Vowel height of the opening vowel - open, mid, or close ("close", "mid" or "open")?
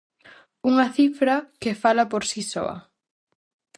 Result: close